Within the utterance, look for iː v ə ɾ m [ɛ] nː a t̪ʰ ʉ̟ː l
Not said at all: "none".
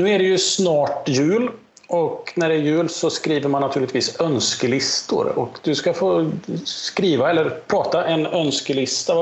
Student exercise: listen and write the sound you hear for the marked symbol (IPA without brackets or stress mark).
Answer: a